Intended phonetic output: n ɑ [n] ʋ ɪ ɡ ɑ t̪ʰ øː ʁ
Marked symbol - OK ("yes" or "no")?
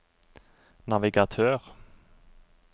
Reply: no